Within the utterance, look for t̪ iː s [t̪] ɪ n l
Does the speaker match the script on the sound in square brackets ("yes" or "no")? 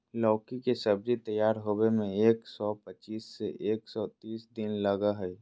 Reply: no